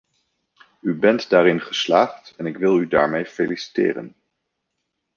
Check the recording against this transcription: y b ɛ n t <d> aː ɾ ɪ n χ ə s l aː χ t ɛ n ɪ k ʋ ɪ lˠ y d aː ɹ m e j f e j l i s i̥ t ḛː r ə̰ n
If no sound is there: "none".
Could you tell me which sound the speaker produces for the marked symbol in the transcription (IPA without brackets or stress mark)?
d